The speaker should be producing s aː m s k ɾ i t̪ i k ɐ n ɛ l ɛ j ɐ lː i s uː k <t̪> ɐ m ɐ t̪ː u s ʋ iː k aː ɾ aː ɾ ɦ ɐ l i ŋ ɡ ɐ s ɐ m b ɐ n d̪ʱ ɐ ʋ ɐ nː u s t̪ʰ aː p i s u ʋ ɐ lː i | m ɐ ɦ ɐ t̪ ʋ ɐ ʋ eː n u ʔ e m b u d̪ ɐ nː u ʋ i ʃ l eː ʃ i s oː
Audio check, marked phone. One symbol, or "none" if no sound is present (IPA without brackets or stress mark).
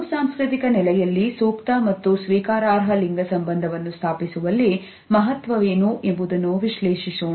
t̪